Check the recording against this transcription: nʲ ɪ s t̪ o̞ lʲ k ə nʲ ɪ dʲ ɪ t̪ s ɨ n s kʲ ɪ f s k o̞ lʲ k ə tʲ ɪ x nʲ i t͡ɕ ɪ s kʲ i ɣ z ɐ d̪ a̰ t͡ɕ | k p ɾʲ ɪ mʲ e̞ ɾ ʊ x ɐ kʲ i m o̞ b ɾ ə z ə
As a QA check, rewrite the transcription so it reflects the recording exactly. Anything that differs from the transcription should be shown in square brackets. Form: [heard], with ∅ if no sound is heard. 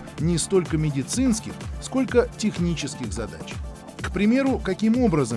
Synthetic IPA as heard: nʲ ɪ s t̪ o̞ lʲ k ə [mʲ] ɪ dʲ ɪ t̪ s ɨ n s kʲ ɪ [x] s k o̞ lʲ k ə tʲ ɪ x nʲ i t͡ɕ ɪ s kʲ [ɪ] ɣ z ɐ d̪ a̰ t͡ɕ | k p ɾʲ ɪ mʲ e̞ ɾ ʊ [k] ɐ kʲ i m o̞ b ɾ ə z ə